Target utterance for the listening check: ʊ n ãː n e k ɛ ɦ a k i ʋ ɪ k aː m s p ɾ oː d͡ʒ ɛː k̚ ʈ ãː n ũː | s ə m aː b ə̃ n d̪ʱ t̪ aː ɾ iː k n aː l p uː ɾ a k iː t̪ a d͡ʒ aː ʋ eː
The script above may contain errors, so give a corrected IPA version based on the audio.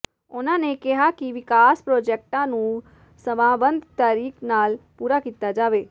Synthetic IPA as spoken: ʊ n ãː n e k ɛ ɦ a k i ʋ ɪ k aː s p ɾ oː d͡ʒ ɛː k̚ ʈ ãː n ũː | s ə m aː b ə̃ n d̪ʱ t̪ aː ɾ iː k n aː l p uː ɾ a k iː t̪ a d͡ʒ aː ʋ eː